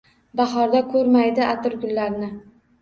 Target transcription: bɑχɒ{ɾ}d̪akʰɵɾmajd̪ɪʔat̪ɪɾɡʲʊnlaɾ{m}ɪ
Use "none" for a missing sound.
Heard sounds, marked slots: ɾ, n

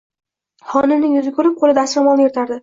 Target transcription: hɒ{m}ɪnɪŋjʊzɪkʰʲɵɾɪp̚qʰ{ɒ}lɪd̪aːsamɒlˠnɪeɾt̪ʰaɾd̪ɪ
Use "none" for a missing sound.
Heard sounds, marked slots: n, o

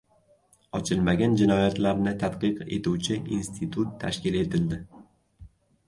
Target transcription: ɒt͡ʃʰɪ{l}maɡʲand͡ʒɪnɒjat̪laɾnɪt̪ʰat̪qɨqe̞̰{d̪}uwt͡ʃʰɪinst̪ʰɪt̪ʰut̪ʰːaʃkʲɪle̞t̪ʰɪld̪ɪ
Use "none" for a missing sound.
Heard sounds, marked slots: l, t̪

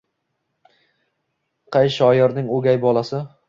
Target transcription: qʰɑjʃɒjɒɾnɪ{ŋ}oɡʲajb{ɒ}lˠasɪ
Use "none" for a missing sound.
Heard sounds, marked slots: ŋ, ɒ

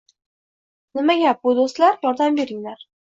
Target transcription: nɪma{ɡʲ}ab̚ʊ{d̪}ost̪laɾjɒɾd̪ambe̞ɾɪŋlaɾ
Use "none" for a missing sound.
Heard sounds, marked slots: ɡʲ, d̪

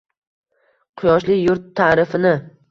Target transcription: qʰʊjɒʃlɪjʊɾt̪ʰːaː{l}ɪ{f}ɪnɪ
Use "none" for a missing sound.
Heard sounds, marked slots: ɾ, f

